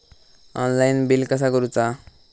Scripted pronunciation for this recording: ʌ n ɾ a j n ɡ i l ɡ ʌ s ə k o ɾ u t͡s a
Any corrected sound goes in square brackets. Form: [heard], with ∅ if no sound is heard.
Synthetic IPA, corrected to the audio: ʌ n [l] a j n [b] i l [k] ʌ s [a] k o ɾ u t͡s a